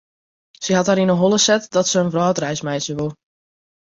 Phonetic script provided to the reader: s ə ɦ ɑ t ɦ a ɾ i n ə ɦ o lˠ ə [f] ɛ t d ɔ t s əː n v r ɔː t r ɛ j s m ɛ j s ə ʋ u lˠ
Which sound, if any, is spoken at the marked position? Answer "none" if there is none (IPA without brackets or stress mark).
s